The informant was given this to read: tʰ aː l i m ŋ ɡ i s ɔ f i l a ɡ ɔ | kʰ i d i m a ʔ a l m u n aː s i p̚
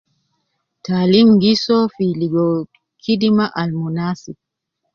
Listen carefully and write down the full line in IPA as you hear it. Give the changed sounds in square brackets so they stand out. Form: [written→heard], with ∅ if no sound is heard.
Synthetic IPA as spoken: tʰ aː l i m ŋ ɡ i s ɔ f i l [a→i] ɡ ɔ | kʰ i d i m a ʔ a l m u n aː s i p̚